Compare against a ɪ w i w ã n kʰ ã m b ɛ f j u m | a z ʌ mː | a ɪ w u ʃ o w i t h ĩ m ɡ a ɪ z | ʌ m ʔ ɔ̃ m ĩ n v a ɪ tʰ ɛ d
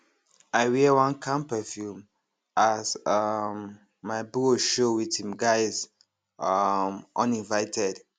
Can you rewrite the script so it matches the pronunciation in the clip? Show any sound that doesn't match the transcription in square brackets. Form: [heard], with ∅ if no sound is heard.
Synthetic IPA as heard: a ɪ w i w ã n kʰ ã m [p] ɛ f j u m | a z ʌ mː | a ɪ [b] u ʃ o w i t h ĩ m ɡ a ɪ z | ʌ m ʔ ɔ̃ [n] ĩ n v a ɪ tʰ ɛ d